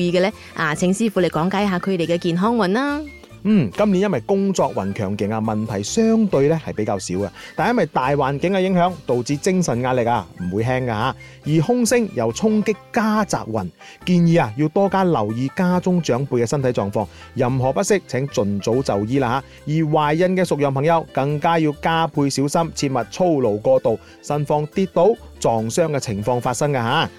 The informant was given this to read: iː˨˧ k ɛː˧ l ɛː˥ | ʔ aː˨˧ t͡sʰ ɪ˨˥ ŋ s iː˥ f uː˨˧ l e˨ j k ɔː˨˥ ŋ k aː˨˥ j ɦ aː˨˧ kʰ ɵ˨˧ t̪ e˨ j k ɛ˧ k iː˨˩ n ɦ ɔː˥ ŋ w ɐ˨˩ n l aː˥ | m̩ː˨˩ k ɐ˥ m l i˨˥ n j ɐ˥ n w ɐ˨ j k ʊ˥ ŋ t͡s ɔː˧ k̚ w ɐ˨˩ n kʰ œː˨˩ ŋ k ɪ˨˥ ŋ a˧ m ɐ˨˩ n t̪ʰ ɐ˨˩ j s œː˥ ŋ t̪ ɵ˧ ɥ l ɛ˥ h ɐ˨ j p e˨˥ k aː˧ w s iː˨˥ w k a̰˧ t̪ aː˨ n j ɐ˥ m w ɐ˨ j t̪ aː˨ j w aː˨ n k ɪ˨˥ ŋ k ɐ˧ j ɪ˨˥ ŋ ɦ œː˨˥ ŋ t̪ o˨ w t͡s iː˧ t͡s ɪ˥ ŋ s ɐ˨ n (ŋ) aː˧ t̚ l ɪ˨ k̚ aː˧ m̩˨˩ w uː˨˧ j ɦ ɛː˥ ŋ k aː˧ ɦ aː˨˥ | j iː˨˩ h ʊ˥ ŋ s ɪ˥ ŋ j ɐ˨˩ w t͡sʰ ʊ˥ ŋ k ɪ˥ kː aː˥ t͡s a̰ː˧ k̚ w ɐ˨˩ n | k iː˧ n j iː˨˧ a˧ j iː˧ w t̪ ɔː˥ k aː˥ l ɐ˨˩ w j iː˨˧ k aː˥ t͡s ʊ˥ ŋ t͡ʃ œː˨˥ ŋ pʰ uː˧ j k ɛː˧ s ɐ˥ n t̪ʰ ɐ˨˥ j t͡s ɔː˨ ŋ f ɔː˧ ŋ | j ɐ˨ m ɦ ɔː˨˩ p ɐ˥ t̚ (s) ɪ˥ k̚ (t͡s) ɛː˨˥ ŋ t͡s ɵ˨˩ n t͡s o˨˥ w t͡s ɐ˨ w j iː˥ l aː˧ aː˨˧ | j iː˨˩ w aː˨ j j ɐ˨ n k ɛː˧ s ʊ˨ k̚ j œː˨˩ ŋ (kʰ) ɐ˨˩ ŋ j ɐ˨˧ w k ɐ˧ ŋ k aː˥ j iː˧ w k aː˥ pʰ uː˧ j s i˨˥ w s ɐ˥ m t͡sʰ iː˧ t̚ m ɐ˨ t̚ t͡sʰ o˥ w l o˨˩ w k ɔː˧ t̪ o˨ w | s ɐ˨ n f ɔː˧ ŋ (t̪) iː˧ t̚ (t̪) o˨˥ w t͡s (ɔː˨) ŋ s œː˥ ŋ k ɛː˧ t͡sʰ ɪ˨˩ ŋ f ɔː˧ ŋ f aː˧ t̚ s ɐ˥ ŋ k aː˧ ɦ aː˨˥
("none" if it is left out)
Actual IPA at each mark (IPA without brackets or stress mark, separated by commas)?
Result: ŋ, s, t͡sʰ, pʰ, t̪, t̪, ɔː˨